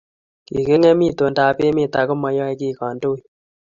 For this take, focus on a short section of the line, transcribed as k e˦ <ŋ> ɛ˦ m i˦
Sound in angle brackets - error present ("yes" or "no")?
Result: no